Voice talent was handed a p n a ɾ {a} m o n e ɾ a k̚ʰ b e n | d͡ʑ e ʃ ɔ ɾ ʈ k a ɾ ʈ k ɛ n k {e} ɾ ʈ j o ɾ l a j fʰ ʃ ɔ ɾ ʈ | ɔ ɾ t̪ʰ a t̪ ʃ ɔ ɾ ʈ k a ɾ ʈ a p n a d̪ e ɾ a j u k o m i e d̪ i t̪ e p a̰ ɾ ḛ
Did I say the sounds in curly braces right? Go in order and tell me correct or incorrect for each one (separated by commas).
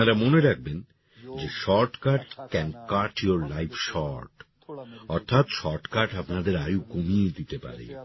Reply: correct, incorrect